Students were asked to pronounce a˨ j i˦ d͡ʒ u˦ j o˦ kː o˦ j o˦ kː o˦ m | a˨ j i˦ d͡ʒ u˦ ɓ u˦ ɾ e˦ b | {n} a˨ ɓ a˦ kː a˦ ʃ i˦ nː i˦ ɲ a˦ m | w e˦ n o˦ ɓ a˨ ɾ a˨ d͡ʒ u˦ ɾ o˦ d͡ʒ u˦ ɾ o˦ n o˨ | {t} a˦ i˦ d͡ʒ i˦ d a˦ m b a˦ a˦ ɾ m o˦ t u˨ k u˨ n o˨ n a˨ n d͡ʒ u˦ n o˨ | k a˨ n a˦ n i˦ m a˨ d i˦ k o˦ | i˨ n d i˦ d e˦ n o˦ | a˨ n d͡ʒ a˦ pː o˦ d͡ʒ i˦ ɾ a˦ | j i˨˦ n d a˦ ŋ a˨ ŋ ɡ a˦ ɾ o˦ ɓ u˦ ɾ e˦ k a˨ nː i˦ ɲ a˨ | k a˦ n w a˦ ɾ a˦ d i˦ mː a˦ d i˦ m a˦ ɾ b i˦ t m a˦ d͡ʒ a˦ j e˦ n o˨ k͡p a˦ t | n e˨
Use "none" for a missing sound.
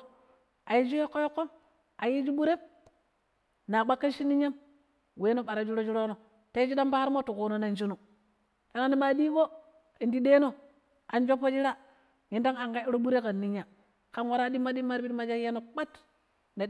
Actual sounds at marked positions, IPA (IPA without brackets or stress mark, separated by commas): n, t